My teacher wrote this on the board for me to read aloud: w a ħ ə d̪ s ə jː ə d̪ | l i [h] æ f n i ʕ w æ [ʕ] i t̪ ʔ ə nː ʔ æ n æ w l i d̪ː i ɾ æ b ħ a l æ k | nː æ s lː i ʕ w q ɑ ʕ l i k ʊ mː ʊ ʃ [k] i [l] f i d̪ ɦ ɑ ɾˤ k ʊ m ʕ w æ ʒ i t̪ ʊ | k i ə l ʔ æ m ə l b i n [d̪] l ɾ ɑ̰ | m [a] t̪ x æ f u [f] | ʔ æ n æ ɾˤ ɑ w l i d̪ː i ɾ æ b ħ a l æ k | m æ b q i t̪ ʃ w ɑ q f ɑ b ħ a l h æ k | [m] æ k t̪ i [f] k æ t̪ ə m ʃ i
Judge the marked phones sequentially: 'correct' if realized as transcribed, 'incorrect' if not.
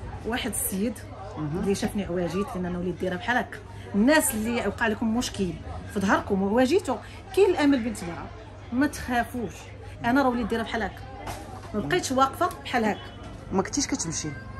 incorrect, incorrect, correct, correct, incorrect, incorrect, incorrect, correct, incorrect

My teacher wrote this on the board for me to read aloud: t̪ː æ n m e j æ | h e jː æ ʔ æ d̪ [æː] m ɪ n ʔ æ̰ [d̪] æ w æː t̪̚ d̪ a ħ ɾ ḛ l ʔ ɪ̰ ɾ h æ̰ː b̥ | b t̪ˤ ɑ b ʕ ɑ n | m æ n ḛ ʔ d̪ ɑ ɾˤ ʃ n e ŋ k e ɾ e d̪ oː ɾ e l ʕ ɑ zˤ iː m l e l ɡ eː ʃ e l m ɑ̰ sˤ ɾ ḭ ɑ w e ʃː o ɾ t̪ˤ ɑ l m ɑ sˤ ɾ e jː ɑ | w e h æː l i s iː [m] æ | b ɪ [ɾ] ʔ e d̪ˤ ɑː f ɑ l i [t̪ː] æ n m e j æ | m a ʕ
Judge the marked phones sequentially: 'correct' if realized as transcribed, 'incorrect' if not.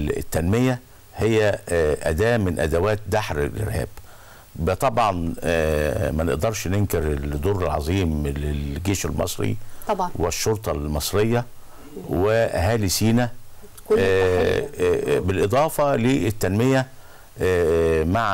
correct, correct, incorrect, incorrect, correct

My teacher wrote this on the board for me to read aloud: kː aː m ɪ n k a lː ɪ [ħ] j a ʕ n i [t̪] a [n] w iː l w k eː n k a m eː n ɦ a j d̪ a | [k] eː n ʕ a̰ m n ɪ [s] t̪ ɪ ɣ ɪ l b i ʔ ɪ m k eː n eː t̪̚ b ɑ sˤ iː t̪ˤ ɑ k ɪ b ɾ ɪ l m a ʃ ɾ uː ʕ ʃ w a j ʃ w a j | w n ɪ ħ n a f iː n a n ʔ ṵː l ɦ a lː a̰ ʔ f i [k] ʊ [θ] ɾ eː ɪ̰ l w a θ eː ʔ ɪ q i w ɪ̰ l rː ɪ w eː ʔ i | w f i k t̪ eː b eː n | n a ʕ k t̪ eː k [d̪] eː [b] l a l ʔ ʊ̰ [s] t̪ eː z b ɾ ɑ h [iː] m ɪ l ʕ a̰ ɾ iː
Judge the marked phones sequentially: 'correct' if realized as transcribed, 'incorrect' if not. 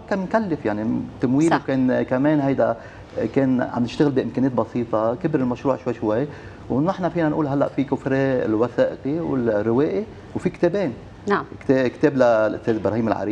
incorrect, correct, incorrect, correct, incorrect, correct, incorrect, incorrect, correct, correct, correct

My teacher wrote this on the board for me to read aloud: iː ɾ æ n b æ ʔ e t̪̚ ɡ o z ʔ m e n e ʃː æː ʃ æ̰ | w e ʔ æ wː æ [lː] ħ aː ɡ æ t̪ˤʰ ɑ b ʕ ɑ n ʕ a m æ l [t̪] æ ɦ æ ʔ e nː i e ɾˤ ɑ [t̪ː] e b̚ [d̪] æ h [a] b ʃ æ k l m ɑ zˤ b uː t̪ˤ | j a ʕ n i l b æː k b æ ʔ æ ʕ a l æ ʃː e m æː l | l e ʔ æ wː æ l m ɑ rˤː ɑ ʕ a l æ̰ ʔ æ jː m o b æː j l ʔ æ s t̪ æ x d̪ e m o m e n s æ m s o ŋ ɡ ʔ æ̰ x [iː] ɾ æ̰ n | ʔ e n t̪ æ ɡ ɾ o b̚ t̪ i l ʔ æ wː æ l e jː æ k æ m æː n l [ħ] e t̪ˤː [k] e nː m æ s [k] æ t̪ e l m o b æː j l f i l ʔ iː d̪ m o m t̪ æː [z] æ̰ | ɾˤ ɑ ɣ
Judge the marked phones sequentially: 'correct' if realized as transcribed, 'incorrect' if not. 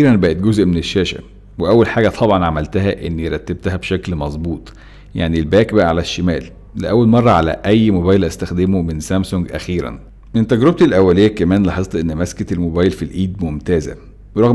incorrect, correct, correct, incorrect, incorrect, correct, correct, incorrect, correct, correct

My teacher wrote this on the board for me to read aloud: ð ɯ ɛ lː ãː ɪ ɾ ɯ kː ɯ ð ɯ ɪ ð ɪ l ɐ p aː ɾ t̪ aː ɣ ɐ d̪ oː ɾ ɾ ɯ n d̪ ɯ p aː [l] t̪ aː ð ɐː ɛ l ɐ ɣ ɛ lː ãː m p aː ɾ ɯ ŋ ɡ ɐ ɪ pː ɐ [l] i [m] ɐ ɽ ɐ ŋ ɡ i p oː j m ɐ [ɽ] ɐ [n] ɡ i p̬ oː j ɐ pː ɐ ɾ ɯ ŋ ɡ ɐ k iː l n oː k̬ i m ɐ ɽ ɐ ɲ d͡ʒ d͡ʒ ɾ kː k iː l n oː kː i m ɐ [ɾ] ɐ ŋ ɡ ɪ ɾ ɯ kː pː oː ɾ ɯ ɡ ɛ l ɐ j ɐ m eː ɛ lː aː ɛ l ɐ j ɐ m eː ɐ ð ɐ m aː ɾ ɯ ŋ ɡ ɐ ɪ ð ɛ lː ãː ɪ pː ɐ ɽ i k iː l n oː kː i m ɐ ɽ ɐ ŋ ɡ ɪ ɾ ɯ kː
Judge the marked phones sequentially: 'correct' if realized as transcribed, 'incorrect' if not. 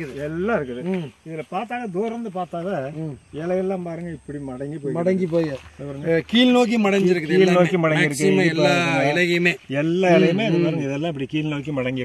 incorrect, incorrect, correct, correct, incorrect, incorrect

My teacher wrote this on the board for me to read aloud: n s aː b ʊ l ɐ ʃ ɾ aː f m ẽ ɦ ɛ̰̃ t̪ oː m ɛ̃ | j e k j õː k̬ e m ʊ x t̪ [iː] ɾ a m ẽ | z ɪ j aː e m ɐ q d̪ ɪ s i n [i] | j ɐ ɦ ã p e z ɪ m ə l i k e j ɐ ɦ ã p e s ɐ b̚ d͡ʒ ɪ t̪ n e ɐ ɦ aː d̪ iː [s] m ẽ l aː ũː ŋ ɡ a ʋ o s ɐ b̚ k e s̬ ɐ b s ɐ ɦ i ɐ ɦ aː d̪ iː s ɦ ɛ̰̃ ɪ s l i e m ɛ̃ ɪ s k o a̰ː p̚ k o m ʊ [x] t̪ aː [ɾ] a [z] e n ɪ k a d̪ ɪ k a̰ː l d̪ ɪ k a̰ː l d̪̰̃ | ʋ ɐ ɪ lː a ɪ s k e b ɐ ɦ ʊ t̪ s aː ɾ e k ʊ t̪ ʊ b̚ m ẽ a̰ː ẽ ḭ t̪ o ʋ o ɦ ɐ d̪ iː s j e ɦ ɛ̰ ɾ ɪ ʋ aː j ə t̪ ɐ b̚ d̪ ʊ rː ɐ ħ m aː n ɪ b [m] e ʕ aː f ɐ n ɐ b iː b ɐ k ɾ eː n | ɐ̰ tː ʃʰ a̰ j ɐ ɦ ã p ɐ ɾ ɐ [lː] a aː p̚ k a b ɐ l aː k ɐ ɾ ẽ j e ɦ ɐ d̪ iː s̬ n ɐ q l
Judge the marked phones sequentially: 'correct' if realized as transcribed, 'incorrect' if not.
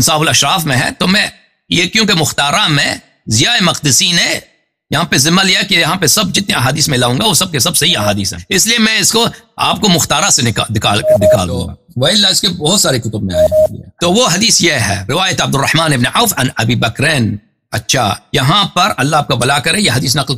incorrect, incorrect, correct, correct, correct, incorrect, incorrect, correct

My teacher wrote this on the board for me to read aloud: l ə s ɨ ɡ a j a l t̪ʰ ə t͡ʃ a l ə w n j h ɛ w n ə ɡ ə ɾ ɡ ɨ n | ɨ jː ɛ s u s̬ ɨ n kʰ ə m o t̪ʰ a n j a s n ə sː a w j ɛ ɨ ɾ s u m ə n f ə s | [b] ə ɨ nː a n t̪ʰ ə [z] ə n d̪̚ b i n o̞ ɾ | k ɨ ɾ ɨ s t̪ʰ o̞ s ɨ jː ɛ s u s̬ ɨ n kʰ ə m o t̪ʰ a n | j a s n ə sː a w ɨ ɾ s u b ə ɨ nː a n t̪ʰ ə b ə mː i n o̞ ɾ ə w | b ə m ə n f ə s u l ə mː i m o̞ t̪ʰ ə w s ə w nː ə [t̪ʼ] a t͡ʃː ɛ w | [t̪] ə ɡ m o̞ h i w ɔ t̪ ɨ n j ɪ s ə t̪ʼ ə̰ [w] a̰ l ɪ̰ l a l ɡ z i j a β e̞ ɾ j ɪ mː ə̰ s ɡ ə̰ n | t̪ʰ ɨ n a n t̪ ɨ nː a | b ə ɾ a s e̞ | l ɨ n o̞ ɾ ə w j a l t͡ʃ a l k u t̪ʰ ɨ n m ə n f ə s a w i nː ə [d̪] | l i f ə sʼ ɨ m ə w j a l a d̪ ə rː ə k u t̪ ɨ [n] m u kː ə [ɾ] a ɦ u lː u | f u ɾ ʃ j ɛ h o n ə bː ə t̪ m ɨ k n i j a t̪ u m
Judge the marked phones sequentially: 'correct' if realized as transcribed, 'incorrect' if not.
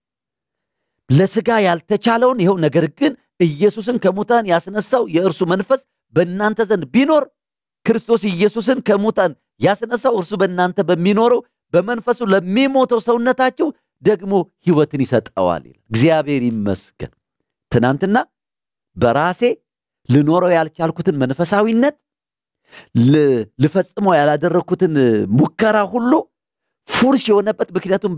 correct, correct, incorrect, incorrect, correct, incorrect, correct, correct

